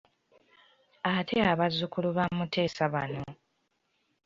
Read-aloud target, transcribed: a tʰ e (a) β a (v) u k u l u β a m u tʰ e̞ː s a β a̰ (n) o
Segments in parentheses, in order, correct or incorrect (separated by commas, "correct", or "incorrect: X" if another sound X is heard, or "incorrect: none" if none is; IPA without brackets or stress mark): correct, incorrect: z, correct